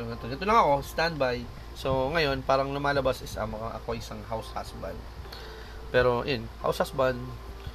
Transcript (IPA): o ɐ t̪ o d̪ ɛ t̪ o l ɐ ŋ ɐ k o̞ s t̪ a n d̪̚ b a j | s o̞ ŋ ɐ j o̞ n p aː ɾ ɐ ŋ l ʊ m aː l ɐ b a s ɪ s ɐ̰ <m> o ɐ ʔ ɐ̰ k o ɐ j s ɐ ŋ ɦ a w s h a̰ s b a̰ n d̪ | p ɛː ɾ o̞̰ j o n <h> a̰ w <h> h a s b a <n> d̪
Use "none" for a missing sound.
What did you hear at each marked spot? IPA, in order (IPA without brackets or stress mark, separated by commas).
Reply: m, h, s, n